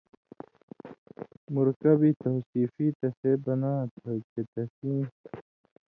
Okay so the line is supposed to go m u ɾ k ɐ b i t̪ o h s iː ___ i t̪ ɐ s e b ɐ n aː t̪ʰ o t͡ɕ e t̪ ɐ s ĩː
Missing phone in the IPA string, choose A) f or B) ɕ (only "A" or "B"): A